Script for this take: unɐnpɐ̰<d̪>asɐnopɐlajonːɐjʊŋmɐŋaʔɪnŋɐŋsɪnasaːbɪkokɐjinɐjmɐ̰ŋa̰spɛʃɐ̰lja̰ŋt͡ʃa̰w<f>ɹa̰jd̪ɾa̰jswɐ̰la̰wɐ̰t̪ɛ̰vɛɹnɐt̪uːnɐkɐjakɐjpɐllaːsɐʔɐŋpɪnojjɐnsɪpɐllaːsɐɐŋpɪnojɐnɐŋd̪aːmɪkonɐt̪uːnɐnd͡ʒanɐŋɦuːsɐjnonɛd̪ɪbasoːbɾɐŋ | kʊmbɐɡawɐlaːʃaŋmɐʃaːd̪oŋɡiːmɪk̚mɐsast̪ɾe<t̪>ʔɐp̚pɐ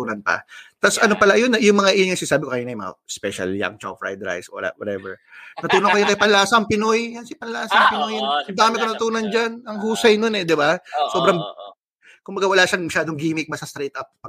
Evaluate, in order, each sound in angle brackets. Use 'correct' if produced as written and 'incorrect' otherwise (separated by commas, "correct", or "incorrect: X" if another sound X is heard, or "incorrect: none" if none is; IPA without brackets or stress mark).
incorrect: t̪, correct, correct